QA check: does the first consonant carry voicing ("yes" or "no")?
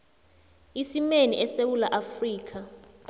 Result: no